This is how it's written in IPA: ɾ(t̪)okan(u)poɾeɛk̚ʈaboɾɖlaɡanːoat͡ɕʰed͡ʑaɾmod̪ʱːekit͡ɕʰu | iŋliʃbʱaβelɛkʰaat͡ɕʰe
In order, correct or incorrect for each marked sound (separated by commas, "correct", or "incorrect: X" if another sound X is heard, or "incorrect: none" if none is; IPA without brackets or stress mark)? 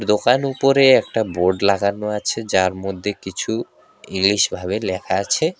incorrect: d̪, correct